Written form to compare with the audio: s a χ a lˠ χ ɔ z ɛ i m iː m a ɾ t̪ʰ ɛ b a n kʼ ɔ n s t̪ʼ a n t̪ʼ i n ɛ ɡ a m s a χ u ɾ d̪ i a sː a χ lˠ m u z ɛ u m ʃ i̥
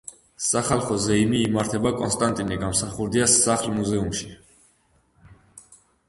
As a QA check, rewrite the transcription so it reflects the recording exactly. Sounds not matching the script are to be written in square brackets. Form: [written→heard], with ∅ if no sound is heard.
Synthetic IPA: s a χ a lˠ χ ɔ z ɛ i m iː m a ɾ t̪ʰ ɛ b a [n→∅] kʼ ɔ n s t̪ʼ a n t̪ʼ i n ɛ ɡ a m s a χ u ɾ d̪ i a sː a χ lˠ m u z ɛ u m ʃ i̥